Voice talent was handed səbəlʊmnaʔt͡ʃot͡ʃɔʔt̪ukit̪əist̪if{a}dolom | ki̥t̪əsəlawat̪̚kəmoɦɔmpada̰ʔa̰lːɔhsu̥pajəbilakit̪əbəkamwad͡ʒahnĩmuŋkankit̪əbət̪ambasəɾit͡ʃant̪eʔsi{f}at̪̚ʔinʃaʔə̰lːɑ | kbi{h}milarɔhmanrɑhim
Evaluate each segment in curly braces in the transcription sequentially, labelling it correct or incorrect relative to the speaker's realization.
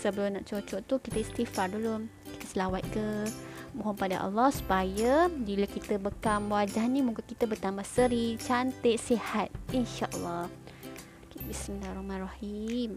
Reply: correct, incorrect, incorrect

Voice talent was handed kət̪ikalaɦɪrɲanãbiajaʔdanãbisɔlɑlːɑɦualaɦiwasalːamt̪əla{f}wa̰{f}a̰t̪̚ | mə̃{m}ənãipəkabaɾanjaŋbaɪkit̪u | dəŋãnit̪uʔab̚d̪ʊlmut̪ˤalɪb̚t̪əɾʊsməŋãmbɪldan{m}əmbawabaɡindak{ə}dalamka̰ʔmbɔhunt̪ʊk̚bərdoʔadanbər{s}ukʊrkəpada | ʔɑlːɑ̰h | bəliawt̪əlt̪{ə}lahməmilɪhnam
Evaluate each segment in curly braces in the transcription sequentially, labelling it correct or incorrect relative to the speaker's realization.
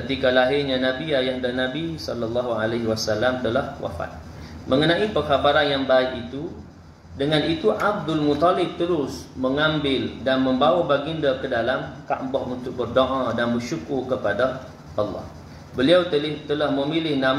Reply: incorrect, correct, incorrect, correct, correct, incorrect, correct

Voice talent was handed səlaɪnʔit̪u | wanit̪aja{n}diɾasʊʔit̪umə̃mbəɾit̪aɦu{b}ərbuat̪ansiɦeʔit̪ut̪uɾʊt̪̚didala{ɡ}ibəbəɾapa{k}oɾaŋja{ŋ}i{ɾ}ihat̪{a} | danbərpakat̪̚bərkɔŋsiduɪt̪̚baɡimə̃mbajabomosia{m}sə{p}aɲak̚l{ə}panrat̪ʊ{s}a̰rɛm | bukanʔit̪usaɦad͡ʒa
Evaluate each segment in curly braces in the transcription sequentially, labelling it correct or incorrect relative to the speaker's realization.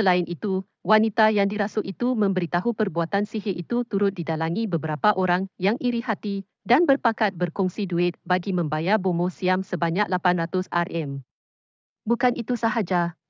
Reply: incorrect, incorrect, incorrect, incorrect, correct, correct, incorrect, correct, incorrect, incorrect, correct

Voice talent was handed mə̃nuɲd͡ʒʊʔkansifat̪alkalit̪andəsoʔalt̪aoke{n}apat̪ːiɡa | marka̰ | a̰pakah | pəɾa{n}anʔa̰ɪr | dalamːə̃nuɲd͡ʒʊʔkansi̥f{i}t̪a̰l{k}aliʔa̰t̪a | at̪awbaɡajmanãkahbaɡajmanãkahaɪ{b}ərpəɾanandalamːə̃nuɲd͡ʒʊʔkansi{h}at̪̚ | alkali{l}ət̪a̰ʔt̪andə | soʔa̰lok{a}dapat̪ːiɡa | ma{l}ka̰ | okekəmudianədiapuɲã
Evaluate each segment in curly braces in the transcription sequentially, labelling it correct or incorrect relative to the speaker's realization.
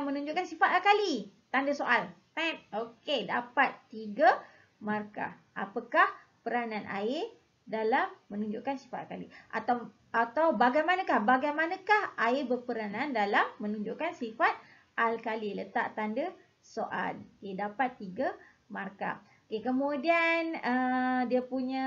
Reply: incorrect, correct, incorrect, correct, correct, incorrect, correct, incorrect, incorrect

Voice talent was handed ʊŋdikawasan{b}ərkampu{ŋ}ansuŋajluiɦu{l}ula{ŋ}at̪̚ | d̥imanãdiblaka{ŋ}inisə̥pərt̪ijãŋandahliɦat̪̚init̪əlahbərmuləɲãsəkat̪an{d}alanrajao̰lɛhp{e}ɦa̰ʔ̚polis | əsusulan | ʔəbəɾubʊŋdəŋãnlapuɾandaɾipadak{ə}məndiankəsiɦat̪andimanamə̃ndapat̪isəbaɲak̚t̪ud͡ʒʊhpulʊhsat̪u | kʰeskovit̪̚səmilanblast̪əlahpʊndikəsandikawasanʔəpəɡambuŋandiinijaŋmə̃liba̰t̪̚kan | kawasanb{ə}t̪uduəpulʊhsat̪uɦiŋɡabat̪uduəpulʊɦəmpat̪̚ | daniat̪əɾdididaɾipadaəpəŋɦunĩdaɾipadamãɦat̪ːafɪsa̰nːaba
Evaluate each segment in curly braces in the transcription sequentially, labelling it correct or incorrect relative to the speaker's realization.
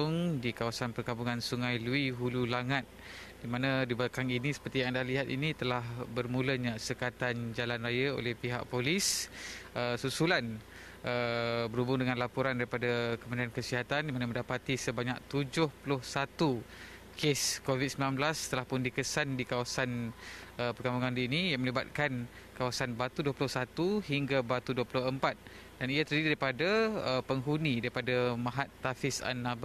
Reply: incorrect, correct, correct, correct, correct, incorrect, incorrect, correct, incorrect

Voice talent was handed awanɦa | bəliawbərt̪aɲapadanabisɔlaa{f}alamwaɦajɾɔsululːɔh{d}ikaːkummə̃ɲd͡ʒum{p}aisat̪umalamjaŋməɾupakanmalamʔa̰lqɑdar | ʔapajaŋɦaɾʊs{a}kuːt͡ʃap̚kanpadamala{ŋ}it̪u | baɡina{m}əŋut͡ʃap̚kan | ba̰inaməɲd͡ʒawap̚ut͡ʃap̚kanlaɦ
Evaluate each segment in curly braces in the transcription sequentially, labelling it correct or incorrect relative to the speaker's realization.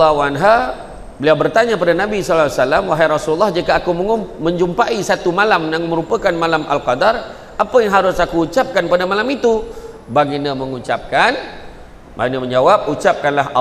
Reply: incorrect, incorrect, correct, correct, incorrect, correct

